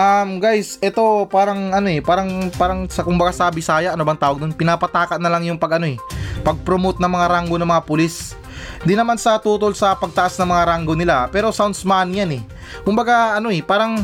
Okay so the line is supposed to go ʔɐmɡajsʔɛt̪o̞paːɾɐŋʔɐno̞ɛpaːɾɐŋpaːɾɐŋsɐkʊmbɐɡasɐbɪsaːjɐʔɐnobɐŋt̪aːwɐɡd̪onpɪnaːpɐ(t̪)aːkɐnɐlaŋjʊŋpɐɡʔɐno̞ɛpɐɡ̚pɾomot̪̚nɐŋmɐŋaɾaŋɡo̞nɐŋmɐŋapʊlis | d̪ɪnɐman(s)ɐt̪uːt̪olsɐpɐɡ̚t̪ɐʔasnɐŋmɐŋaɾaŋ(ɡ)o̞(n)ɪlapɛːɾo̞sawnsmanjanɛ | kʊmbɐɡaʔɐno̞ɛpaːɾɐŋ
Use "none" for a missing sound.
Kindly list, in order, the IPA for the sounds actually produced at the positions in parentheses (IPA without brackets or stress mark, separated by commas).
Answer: t̪, s, ɡ, n